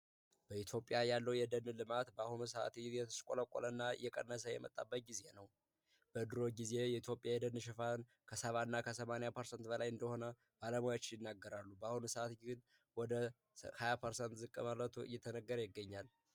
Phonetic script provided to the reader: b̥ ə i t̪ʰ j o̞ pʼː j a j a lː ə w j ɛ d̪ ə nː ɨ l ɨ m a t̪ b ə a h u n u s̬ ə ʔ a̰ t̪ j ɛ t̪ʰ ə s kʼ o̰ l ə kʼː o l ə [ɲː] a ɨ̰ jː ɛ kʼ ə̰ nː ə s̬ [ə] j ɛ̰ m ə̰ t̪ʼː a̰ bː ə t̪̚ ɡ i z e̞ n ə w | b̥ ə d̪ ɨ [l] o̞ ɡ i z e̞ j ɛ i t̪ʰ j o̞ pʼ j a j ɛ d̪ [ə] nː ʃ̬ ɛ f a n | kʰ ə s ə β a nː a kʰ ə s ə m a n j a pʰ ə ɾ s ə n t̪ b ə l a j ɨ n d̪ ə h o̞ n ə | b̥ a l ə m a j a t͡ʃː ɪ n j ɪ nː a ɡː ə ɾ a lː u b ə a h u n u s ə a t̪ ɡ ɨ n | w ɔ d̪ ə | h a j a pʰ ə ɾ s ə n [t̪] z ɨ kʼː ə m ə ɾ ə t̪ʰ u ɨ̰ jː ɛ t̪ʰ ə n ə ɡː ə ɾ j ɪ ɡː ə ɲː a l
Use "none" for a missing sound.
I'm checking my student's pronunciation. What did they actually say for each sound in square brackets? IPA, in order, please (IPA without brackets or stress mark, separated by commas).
nː, ə, ɾ, ə, t̪